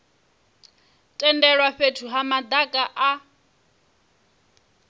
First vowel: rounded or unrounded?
unrounded